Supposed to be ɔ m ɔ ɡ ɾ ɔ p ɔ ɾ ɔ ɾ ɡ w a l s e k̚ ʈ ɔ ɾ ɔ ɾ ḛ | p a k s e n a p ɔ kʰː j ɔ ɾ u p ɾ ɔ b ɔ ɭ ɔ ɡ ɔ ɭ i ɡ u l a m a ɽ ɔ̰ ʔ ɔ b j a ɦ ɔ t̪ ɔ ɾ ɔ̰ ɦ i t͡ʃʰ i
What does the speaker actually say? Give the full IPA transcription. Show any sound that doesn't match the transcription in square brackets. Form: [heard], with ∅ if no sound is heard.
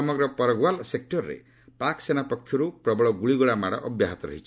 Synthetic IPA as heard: ɔ m ɔ ɡ ɾ ɔ p ɔ ɾ ɔ [∅] ɡ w a l s e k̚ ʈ ɔ ɾ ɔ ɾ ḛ | p a k s e n a p ɔ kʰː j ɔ ɾ u p ɾ ɔ b ɔ ɭ ɔ ɡ [u] ɭ i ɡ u [ɭ] a m a ɽ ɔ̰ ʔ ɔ b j a ɦ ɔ t̪ ɔ ɾ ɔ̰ ɦ i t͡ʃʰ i